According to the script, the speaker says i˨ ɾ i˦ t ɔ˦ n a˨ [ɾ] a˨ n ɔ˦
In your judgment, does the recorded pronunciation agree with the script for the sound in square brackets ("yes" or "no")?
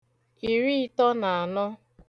no